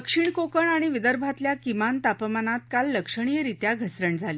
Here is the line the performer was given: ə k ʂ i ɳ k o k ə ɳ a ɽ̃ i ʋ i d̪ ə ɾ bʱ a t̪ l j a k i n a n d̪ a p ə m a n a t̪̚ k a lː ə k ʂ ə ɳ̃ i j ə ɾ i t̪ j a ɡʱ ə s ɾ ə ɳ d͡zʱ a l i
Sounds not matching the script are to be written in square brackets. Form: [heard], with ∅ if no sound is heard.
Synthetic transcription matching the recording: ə k ʂ i ɳ k o k ə ɳ a ɽ̃ i ʋ i d̪ ə ɾ bʱ a t̪ l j a k i [m] a n [t̪] a p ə m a n a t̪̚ k a lː ə k ʂ ə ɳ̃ i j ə ɾ i t̪ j a ɡʱ ə s ɾ ə ɳ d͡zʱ a l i

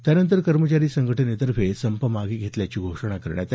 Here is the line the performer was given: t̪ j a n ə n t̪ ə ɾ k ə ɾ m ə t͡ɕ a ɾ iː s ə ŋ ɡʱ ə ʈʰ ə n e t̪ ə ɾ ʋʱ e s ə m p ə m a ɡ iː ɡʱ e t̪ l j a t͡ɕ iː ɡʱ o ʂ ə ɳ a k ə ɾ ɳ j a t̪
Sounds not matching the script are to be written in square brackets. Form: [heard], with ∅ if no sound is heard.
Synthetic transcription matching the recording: t̪ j a n ə n t̪ ə ɾ k ə ɾ m ə t͡ɕ a ɾ iː s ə ŋ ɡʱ ə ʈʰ ə n e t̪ ə ɾ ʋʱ e s ə m p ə m a ɡ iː ɡʱ e t̪ l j a t͡ɕ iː ɡʱ o ʂ ə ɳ a k ə ɾ ɳ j a t̪

